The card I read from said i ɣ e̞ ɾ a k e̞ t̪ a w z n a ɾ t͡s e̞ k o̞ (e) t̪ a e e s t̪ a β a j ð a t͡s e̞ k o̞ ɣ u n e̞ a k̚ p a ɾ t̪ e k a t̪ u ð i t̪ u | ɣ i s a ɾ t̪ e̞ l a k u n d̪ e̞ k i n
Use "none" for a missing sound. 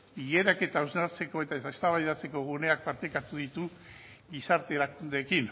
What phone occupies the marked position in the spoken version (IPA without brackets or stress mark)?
e